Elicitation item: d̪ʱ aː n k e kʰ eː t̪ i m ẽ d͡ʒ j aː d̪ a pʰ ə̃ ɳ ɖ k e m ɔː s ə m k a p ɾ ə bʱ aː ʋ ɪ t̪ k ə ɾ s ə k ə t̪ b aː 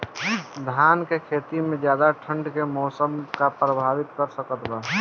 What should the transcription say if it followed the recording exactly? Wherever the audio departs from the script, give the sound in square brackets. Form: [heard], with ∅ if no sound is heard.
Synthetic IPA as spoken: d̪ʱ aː n k e kʰ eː t̪ i m ẽ d͡ʒ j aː d̪ a [ʈʰ] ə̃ ɳ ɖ k e m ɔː s ə m k a p ɾ ə bʱ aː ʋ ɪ t̪ k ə ɾ s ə k ə t̪ b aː